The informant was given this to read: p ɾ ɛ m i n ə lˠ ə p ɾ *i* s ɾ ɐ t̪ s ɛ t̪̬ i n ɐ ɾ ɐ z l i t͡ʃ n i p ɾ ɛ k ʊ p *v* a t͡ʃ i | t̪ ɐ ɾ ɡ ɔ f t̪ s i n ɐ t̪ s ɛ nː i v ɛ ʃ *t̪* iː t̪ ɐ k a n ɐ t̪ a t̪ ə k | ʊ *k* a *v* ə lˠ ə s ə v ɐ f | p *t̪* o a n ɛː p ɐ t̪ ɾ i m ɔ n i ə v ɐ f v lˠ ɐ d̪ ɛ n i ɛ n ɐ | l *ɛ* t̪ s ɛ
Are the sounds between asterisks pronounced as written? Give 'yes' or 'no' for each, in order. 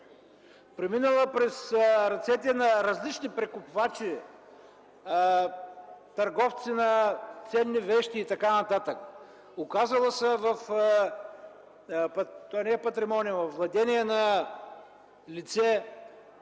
no, yes, yes, yes, no, yes, no

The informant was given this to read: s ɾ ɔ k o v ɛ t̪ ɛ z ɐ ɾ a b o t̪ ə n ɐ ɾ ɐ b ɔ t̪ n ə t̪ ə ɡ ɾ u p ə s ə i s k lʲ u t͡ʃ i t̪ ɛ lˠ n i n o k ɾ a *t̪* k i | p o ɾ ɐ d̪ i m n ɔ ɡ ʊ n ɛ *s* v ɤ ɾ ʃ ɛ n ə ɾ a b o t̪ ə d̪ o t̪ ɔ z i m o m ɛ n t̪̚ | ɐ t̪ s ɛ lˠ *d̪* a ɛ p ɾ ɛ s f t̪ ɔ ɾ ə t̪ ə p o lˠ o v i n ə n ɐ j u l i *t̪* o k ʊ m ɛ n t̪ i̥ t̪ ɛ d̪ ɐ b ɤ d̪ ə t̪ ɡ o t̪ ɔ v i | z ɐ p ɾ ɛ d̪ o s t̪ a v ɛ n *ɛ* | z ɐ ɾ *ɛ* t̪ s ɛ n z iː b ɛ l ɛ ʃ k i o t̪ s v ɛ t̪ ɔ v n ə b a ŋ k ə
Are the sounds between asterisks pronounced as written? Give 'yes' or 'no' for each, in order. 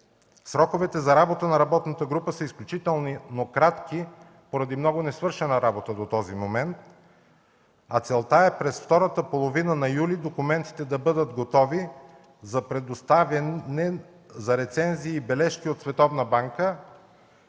yes, yes, no, no, yes, yes

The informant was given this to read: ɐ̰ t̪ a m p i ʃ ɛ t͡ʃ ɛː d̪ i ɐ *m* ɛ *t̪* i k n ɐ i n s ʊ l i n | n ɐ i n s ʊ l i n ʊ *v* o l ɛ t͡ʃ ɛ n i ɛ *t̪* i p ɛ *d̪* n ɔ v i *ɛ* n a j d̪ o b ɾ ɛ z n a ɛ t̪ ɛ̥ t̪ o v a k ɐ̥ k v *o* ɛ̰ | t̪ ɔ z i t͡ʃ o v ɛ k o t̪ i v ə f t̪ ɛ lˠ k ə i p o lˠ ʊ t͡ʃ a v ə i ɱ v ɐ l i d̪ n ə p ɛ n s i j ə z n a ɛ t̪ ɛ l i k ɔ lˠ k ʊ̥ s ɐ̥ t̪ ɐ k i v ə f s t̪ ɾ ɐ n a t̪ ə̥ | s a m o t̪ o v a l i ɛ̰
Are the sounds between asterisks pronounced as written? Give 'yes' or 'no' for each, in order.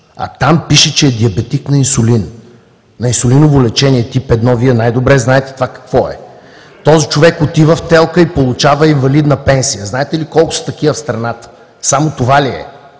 no, yes, yes, yes, yes, yes, no

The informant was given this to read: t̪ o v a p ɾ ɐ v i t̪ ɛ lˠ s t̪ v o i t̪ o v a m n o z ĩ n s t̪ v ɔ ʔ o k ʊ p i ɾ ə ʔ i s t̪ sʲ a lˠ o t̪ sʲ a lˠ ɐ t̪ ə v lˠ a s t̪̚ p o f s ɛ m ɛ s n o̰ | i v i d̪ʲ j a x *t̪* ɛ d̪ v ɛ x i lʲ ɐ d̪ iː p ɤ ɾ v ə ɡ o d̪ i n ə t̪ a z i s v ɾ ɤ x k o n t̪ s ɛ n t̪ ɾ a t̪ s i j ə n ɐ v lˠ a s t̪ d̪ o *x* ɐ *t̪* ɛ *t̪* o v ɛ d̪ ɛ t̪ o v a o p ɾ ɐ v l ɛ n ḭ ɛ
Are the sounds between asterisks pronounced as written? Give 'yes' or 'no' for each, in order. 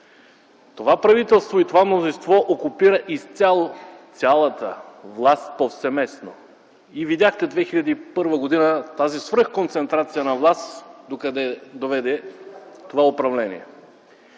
yes, no, no, no

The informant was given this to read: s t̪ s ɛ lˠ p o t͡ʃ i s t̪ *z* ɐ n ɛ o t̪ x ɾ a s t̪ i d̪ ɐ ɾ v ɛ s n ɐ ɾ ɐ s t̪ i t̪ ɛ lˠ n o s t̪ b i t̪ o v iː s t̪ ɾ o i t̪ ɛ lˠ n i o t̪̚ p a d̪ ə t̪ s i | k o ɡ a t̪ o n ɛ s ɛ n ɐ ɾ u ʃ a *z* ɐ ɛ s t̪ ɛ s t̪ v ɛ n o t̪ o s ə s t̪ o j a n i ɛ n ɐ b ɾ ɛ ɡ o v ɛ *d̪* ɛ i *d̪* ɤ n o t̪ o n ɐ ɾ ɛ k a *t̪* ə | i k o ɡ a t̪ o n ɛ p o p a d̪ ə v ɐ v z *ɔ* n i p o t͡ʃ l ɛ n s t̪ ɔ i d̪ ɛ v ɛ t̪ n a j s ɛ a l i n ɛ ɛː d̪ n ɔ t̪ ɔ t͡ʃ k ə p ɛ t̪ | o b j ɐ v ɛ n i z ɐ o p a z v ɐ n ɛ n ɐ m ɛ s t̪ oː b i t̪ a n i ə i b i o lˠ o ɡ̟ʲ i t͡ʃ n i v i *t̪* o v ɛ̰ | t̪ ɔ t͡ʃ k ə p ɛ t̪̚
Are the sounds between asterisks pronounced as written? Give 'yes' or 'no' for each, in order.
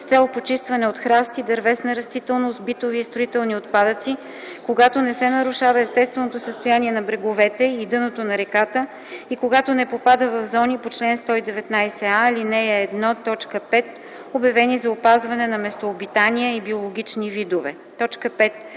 no, no, no, yes, yes, yes, no

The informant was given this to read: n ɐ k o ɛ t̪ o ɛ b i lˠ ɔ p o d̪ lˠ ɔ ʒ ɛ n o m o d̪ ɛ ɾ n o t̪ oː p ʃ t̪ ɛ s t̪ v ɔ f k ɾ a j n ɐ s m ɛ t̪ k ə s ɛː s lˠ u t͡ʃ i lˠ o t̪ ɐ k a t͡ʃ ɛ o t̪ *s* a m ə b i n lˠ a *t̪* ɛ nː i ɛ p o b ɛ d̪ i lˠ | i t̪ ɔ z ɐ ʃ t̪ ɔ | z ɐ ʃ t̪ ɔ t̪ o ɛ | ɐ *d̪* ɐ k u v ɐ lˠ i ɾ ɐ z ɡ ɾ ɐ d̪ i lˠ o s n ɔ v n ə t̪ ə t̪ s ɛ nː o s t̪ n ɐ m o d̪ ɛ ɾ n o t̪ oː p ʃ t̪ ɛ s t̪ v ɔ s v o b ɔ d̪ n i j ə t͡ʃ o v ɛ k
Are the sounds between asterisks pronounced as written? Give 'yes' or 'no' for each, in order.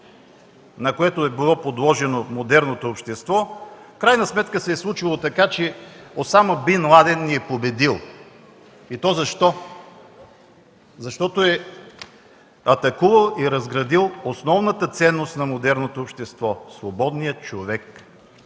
yes, no, no

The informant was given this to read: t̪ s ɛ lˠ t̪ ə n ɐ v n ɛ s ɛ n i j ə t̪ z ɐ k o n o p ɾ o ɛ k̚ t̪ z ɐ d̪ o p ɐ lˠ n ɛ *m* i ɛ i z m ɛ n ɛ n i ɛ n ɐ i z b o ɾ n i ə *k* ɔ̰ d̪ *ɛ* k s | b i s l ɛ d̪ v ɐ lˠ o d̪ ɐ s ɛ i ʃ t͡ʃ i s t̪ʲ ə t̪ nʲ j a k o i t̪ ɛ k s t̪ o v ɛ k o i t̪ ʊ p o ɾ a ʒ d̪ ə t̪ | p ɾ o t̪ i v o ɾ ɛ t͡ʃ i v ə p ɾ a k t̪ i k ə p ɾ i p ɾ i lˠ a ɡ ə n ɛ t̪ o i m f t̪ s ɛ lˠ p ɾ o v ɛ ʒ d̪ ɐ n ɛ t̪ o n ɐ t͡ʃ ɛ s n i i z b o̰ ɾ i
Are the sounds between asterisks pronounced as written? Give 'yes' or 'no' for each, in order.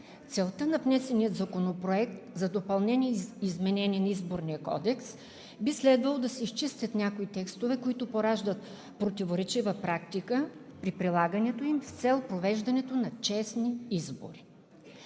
no, yes, yes

